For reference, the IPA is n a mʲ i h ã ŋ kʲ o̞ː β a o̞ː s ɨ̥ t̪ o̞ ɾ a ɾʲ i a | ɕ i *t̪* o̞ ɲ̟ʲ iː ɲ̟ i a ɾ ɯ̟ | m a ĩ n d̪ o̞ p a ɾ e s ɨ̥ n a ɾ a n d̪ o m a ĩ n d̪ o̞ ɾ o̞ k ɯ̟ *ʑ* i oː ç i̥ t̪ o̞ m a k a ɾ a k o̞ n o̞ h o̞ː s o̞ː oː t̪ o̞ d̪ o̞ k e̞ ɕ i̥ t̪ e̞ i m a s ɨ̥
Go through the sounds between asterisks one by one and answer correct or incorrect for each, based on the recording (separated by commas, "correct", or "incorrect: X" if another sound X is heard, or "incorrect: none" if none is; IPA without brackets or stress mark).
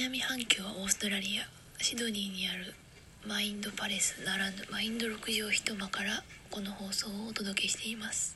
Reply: incorrect: d̪, correct